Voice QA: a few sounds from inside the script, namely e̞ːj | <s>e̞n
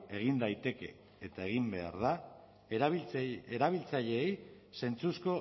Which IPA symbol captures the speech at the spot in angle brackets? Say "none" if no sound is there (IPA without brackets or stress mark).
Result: s